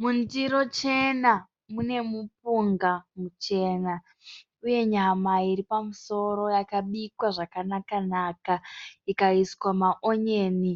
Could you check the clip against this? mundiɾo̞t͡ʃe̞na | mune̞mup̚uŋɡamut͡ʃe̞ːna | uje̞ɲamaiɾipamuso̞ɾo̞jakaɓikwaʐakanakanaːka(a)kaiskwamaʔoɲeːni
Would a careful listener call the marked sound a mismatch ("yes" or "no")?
yes